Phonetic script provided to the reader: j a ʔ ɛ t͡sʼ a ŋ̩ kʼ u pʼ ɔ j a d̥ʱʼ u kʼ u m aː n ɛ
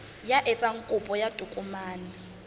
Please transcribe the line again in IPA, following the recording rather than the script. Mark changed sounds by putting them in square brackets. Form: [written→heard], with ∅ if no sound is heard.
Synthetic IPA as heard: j a ʔ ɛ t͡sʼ a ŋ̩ kʼ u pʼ ɔ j a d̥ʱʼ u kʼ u m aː n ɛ